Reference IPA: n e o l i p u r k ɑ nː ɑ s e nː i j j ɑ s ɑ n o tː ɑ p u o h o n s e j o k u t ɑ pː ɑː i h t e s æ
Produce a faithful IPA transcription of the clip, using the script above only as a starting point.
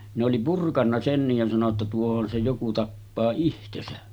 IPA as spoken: n e o l i p u r k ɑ nː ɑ s e nː i j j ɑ s ɑ n o tː ɑ t u o h o n s e j o k u t ɑ pː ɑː i h t e s æ